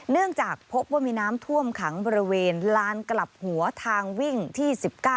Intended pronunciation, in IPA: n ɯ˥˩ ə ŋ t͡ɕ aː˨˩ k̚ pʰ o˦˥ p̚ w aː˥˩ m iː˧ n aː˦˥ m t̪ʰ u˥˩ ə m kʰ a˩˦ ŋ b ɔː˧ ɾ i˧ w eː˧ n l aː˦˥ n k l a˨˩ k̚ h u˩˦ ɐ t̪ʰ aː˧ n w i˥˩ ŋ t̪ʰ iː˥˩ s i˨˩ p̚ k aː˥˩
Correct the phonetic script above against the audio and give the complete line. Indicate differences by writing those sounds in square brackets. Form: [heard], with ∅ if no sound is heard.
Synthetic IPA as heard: n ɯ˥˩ ə ŋ t͡ɕ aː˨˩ k̚ pʰ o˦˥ p̚ w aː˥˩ m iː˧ n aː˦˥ m t̪ʰ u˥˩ ə m kʰ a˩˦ ŋ b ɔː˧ ɾ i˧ w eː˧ n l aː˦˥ n k l a˨˩ [p̚] h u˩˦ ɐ t̪ʰ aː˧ [ŋ] w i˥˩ ŋ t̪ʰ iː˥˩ s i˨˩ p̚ k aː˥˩